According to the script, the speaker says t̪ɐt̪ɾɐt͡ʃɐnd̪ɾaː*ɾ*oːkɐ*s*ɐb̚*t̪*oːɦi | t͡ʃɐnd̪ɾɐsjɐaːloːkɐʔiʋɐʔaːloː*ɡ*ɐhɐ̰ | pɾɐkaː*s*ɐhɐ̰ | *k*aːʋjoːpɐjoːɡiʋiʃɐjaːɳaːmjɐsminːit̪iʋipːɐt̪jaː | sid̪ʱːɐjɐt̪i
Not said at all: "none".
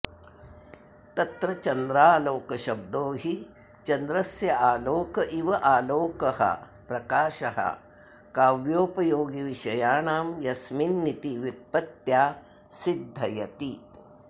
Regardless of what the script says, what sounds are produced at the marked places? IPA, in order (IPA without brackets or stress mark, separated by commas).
l, ʃ, d̪, k, ʃ, k